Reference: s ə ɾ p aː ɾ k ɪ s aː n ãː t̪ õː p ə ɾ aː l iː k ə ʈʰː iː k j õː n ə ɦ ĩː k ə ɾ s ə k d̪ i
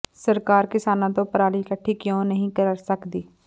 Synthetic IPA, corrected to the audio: s ə ɾ k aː ɾ k ɪ s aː n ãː t̪ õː p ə ɾ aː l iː k ə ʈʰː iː k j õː n ə ɦ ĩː k ə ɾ s ə k d̪ iː